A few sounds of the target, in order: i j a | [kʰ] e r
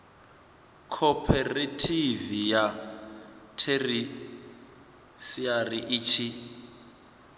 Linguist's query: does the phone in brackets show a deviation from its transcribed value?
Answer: yes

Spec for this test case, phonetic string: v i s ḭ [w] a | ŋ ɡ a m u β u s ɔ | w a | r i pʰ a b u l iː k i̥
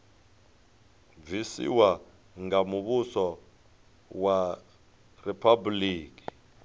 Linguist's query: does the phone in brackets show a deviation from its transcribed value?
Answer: no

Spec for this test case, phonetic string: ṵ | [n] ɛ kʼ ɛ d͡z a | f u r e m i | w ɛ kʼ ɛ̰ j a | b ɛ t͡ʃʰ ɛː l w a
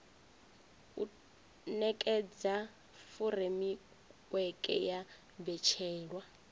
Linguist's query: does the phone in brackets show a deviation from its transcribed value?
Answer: no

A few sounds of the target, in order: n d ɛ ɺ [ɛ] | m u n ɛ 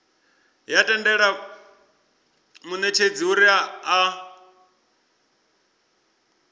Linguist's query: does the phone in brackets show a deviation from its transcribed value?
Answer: yes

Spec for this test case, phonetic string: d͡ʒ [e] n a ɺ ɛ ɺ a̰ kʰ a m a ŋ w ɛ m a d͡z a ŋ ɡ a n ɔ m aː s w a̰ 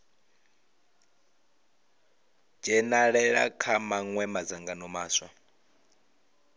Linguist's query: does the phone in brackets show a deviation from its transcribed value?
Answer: yes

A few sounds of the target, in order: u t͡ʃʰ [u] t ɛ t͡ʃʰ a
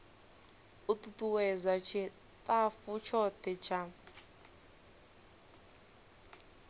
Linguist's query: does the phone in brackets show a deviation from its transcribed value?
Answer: yes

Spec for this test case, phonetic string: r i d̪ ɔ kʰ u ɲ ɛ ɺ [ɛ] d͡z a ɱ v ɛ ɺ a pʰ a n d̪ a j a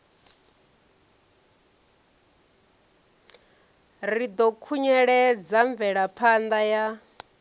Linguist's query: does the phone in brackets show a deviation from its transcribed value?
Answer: no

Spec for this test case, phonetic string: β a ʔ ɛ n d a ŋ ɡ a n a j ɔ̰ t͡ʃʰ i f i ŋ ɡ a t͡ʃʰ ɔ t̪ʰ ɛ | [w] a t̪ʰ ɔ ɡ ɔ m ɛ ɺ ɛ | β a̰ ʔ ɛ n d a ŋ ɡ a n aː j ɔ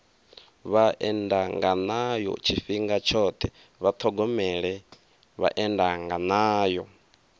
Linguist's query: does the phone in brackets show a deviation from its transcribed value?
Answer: yes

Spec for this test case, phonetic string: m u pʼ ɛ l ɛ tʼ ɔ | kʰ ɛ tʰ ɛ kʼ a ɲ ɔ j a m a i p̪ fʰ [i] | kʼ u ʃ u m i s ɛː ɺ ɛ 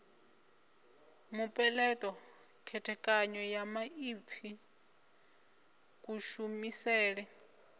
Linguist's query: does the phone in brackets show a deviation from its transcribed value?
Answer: no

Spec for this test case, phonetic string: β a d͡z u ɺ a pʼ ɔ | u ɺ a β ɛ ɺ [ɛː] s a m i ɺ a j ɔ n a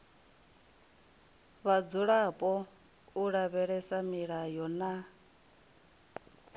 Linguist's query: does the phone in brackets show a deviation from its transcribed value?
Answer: yes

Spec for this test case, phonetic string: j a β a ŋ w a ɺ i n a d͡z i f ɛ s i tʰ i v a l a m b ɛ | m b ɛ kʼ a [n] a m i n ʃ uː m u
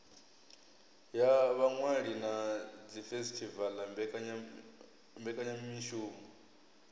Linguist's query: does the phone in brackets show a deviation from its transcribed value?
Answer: yes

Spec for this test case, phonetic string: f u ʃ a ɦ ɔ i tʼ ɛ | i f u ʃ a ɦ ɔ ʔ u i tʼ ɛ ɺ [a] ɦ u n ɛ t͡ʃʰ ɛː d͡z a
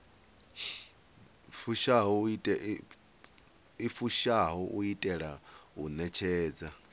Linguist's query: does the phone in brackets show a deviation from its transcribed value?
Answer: no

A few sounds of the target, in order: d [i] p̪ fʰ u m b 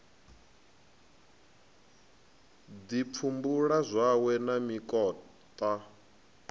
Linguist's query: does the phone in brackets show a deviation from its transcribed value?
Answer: no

